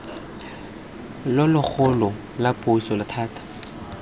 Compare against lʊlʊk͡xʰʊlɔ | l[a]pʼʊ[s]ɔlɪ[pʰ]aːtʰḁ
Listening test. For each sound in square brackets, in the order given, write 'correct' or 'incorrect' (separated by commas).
correct, correct, incorrect